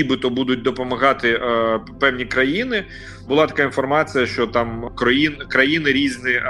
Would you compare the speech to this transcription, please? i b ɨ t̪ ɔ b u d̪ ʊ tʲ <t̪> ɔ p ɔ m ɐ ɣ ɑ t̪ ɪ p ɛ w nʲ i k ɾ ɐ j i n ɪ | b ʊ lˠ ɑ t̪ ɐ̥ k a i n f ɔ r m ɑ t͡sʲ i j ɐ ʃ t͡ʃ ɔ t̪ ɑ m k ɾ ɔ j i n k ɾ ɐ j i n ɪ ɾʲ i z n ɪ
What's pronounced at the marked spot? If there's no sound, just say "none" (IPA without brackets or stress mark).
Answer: d̪